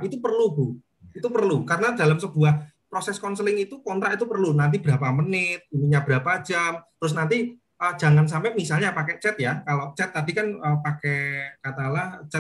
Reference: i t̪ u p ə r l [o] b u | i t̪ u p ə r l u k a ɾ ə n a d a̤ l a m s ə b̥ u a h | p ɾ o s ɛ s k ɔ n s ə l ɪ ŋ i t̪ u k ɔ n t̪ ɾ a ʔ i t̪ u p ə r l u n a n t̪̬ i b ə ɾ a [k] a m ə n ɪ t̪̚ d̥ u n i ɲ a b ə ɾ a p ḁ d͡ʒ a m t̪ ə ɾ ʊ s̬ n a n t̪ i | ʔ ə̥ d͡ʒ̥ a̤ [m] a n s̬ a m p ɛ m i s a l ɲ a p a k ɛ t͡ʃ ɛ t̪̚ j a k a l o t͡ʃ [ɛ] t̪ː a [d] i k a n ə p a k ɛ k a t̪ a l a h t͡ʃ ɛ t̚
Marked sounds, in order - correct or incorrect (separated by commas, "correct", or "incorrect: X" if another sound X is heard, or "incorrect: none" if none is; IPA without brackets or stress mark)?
incorrect: u, incorrect: p, incorrect: ŋ, correct, correct